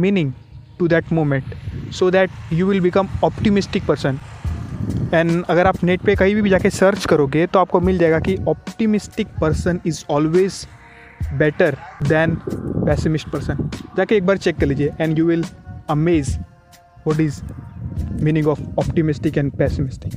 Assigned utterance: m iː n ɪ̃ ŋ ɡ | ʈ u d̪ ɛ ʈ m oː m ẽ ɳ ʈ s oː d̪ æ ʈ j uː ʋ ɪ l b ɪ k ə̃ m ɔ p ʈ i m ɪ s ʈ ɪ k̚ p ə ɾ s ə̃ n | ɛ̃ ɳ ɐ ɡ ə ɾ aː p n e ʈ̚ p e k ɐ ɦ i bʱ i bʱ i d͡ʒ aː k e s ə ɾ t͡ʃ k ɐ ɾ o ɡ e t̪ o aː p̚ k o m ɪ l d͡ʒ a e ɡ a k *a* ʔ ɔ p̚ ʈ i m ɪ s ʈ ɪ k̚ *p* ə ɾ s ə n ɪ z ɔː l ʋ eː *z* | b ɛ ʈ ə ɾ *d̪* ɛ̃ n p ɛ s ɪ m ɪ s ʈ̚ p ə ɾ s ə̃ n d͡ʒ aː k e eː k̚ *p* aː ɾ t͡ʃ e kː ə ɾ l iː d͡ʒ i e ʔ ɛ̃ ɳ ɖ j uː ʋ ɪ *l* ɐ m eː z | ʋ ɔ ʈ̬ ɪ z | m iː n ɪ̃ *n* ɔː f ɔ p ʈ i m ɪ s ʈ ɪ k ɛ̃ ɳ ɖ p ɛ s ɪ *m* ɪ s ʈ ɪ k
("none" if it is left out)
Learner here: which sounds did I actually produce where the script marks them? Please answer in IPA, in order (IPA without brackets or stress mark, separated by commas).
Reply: i, p, z, d̪, b, l, ŋ, m